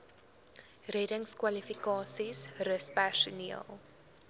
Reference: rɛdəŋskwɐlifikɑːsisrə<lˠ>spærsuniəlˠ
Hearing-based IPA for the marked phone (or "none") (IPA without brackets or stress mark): none